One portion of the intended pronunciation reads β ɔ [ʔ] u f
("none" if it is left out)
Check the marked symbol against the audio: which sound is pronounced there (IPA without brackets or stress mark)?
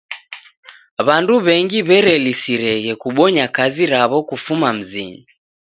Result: k